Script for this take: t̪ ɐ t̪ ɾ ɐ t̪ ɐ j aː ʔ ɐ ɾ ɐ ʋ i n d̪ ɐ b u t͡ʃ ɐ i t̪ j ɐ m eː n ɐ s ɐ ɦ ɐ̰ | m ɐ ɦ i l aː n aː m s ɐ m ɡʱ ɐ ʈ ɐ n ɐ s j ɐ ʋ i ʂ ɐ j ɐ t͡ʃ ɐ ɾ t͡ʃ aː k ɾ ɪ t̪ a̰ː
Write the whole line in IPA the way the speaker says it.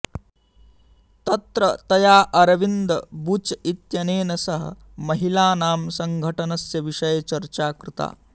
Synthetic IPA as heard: t̪ ɐ t̪ ɾ ɐ t̪ ɐ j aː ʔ ɐ ɾ ɐ ʋ i n d̪ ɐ b u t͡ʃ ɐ i t̪ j ɐ n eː n ɐ s ɐ ɦ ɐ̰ | m ɐ ɦ i l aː n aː m s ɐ ŋ ɡʱ ɐ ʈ ɐ n ɐ s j ɐ ʋ i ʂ ɐ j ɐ t͡ʃ ɐ ɾ t͡ʃ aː k ɾ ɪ t̪ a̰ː